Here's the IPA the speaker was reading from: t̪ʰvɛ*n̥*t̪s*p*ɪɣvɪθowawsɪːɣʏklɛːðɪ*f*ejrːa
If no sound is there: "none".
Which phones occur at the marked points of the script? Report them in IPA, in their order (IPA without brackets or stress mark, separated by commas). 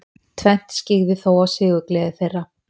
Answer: n̥, c, θ